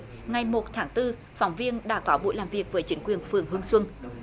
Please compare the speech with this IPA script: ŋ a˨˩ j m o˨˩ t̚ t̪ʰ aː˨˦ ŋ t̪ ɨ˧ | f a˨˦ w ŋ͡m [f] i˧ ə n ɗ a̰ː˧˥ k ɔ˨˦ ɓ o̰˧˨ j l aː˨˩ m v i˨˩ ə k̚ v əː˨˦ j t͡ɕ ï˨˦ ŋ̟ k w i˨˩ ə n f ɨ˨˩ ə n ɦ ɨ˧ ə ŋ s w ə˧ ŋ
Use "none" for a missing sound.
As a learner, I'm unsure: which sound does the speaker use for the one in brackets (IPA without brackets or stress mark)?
v